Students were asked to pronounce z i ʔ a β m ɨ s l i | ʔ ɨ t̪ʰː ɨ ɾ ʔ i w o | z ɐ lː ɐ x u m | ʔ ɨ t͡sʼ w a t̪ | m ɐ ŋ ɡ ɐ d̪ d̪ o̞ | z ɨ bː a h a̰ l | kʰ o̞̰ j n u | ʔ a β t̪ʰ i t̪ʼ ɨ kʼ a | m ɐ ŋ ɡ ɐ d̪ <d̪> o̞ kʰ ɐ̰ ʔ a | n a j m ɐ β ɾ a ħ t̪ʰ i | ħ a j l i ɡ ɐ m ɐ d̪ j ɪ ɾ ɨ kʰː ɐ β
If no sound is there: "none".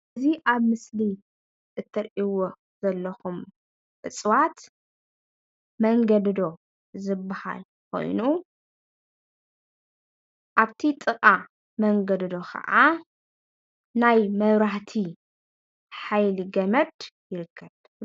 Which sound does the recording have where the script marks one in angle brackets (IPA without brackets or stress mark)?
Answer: d̪